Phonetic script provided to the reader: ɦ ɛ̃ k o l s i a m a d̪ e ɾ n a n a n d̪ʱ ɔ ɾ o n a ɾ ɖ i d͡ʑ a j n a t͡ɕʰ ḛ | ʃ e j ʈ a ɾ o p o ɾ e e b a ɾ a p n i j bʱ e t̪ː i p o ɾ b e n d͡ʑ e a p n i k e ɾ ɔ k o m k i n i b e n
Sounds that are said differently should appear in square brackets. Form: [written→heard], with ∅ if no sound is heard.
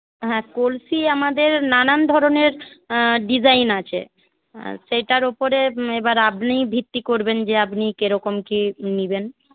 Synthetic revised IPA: ɦ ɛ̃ k o l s i a m a d̪ e ɾ n a n a n d̪ʱ ɔ ɾ o n [a→e] ɾ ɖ i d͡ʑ a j n a t͡ɕʰ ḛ | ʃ e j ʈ a ɾ o p o ɾ e e b a ɾ a p n i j bʱ [e→i] t̪ː i [p→k] o ɾ b e n d͡ʑ e a p n i k e ɾ ɔ k o m k i n i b e n

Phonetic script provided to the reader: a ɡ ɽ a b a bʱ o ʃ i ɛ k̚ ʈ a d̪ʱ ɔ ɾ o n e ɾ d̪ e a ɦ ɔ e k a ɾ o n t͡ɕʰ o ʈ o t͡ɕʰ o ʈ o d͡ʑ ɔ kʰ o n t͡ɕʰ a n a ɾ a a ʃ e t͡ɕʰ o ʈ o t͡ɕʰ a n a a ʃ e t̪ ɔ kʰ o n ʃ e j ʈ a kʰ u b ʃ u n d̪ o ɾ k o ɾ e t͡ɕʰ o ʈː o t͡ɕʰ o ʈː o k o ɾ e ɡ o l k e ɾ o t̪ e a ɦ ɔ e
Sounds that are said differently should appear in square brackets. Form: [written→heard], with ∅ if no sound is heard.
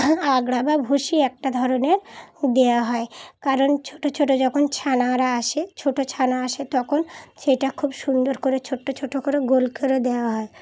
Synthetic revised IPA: a ɡ ɽ a b a bʱ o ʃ i ɛ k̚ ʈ a d̪ʱ ɔ ɾ o n e ɾ d̪ e a ɦ ɔ e k a ɾ o n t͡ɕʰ o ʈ o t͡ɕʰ o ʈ o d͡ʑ ɔ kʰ o n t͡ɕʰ a n a ɾ a a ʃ e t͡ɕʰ o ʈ o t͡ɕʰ a n a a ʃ e t̪ ɔ kʰ o n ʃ e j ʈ a kʰ u b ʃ u n d̪ o ɾ k o ɾ e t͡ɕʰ o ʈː o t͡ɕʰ o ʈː o k o ɾ e ɡ o l k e ɾ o [t̪→d̪] e a ɦ ɔ e

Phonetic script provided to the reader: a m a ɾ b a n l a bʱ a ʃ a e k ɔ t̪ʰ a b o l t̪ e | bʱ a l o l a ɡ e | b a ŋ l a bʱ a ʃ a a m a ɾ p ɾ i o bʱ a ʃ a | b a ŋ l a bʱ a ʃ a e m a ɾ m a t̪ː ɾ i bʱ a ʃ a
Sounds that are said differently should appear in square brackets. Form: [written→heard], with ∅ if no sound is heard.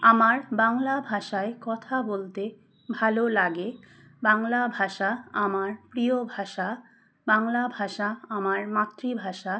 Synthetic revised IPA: a m a ɾ b a [n→ŋ] l a bʱ a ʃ a e k ɔ t̪ʰ a b o l t̪ e | bʱ a l o l a ɡ e | b a ŋ l a bʱ a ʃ a a m a ɾ p ɾ i o bʱ a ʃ a | b a ŋ l a bʱ a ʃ a [e→a] m a ɾ m a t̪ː ɾ i bʱ a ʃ a

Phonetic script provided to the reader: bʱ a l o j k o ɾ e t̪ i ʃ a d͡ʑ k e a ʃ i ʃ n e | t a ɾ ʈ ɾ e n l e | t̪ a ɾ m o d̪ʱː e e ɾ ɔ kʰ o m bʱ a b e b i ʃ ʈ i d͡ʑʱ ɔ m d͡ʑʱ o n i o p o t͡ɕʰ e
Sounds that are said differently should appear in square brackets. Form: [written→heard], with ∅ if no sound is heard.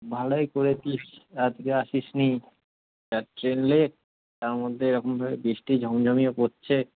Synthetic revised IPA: bʱ a l o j k o ɾ e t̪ i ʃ a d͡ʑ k e a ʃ i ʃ n [e→i] | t a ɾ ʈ ɾ e n l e | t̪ a ɾ m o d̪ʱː e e ɾ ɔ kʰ o m bʱ a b e b i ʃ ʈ i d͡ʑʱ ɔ m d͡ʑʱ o [n→m] i o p o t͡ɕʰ e

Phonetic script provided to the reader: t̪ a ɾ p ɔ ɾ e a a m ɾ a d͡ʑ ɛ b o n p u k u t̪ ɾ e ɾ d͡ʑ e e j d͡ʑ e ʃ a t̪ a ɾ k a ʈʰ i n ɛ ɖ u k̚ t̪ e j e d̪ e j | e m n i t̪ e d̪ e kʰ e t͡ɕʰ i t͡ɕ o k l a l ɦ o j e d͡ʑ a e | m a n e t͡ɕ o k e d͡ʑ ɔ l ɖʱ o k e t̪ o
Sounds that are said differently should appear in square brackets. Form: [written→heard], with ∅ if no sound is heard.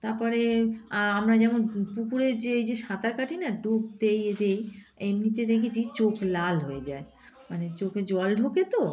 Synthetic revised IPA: t̪ a ɾ p ɔ ɾ e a a m ɾ a d͡ʑ ɛ [b→m] o n p u k u [t̪→∅] ɾ e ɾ d͡ʑ e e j d͡ʑ e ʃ a t̪ a ɾ k a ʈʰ i n [ɛ→a] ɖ u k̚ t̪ e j e d̪ e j | e m n i t̪ e d̪ e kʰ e t͡ɕʰ i t͡ɕ o k l a l ɦ o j e d͡ʑ a e | m a n e t͡ɕ o k e d͡ʑ ɔ l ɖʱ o k e t̪ o

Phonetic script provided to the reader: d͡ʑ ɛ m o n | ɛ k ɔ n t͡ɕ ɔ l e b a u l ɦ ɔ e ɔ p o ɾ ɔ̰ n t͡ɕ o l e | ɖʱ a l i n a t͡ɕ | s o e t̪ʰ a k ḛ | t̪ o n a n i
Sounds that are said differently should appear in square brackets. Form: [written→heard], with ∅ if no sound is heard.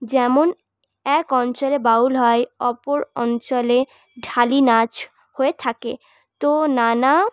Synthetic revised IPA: d͡ʑ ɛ m o n | ɛ k ɔ n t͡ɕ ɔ l e b a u l ɦ ɔ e ɔ p o ɾ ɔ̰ n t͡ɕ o l e | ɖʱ a l i n a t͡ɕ | [s→h] o e t̪ʰ a k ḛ | t̪ o n a n [i→a]

